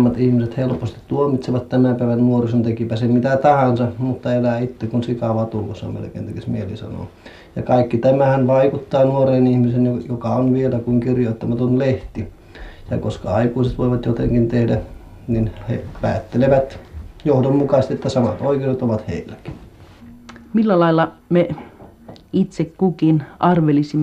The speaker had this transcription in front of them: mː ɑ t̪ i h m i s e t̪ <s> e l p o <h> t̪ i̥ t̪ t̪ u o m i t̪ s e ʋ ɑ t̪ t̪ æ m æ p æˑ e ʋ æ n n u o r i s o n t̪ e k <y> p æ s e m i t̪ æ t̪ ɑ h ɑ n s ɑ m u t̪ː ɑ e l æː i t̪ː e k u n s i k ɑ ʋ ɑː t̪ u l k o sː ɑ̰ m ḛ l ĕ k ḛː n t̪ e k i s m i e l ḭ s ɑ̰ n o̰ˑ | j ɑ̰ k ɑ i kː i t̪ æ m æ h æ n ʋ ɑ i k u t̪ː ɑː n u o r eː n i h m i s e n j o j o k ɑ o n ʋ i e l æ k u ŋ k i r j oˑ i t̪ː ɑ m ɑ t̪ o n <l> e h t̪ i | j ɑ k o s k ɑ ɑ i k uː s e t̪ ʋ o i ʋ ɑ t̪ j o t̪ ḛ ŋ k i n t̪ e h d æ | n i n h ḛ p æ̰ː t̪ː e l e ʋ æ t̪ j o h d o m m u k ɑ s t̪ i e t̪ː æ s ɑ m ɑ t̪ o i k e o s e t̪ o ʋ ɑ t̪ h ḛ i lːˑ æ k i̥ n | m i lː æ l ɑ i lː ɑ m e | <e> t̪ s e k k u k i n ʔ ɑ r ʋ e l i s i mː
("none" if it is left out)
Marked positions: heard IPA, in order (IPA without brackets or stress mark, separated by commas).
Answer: h, s, i, l, i